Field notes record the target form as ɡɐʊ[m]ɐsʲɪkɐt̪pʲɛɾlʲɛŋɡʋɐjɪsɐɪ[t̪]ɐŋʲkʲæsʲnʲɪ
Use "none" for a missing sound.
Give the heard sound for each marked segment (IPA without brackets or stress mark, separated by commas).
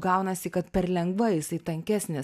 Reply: n, t̪